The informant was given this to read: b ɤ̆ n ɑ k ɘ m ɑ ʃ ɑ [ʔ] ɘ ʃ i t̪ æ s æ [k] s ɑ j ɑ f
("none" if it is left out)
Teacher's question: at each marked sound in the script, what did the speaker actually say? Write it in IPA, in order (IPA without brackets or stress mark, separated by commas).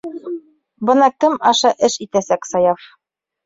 ʔ, k